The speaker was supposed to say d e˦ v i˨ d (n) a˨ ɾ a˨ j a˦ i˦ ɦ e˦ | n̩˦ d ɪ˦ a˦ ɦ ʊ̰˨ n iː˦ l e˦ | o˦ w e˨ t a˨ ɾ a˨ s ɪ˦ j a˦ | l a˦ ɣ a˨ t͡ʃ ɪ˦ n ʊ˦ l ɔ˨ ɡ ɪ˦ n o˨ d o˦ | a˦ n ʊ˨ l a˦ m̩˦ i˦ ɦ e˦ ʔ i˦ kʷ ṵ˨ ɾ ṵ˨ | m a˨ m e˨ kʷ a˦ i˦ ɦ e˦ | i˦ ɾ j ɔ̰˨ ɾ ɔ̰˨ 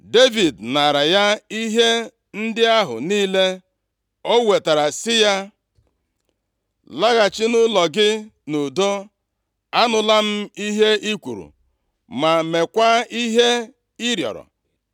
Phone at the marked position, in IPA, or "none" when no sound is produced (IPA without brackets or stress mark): n